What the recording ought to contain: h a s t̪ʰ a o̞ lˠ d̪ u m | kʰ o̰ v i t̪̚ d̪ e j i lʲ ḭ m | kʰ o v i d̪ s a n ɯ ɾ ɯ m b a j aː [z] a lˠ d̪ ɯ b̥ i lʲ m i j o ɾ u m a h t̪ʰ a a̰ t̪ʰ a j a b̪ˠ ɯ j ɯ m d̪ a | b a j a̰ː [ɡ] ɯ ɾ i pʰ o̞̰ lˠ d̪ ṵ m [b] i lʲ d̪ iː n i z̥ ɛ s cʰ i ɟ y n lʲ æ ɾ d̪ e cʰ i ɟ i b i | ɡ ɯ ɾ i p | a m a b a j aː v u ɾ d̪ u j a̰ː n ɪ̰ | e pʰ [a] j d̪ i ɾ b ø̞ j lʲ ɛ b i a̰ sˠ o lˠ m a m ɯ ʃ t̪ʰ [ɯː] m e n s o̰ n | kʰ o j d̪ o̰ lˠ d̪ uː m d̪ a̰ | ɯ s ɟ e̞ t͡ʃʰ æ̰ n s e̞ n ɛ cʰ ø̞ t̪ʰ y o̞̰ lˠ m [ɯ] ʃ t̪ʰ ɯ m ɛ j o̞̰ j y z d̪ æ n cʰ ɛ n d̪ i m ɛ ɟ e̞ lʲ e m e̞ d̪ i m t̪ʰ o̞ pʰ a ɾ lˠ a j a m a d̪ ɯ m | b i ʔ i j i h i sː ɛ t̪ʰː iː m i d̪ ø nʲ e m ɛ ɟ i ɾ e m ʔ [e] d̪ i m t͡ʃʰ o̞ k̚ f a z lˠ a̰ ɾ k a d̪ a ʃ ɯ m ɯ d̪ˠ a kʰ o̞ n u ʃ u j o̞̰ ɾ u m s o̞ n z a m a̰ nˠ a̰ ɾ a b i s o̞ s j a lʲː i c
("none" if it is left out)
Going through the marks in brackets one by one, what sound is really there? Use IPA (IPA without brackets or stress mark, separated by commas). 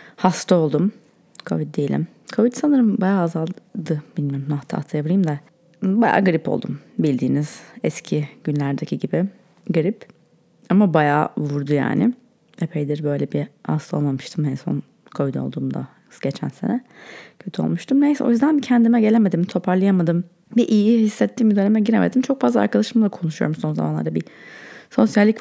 z, ɡ, b, e, ɯ, u, e